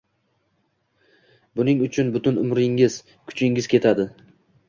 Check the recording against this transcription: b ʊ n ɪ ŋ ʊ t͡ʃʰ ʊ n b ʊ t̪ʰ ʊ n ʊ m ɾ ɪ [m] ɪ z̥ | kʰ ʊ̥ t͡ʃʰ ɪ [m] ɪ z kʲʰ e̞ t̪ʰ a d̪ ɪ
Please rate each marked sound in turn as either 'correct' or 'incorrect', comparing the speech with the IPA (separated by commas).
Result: incorrect, incorrect